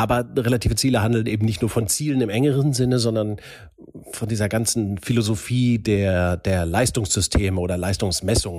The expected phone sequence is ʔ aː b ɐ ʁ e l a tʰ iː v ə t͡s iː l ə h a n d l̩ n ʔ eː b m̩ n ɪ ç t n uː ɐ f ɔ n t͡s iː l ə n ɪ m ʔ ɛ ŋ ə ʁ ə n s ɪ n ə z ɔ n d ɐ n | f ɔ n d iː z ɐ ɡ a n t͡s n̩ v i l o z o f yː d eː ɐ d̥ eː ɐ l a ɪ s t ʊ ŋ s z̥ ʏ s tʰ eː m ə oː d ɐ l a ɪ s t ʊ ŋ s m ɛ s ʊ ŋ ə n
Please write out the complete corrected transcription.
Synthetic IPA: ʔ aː b ɐ ʁ e l a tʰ iː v ə t͡s iː l ə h a n d l̩ n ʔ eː b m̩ n ɪ ç t n uː ɐ f ɔ n t͡s iː l ə n ɪ m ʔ ɛ ŋ ə ʁ ə n z ɪ n ə z ɔ n d ɐ n | f ɔ n d iː z ɐ ɡ a n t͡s n̩ f i l o z o f iː d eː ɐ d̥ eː ɐ l a ɪ s t ʊ ŋ s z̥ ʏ s tʰ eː m ə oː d ɐ l a ɪ s t ʊ ŋ s m ɛ s ʊ ŋ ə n